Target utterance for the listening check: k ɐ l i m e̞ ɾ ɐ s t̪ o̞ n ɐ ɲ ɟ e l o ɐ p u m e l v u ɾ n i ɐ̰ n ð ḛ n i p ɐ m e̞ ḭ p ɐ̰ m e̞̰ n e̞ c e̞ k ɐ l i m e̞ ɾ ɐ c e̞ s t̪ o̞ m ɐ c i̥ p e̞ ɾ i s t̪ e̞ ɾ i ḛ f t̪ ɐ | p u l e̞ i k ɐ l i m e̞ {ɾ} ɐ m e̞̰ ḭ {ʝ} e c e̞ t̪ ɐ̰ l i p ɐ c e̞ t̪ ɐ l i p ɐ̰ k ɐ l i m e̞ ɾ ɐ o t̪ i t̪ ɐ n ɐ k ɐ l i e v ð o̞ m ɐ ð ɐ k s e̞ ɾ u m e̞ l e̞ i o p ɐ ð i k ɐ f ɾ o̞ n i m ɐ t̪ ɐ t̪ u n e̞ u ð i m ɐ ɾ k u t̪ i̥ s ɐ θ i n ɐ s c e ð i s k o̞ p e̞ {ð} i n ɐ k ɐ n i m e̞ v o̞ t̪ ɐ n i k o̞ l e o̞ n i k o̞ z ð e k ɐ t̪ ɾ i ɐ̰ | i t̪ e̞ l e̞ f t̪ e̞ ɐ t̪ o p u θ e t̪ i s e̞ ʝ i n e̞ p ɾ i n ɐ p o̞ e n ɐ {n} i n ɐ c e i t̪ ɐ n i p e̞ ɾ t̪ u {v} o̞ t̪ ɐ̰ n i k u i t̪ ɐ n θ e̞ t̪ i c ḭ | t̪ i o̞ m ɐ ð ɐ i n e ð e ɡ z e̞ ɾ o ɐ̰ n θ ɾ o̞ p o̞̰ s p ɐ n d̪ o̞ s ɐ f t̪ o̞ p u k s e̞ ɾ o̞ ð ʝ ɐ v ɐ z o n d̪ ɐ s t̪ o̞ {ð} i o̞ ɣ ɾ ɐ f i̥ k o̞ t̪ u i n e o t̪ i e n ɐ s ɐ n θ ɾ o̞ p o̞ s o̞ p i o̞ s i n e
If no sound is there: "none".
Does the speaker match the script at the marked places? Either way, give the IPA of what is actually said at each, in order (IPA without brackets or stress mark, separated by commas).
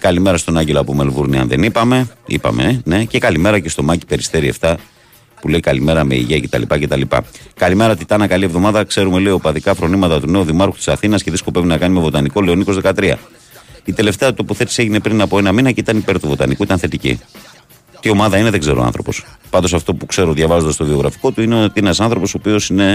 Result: ɾ, ʝ, v, m, v, v